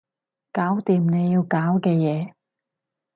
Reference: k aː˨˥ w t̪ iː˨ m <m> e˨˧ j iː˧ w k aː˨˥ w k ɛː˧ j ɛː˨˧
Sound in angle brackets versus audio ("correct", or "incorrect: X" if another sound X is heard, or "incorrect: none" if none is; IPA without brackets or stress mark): incorrect: n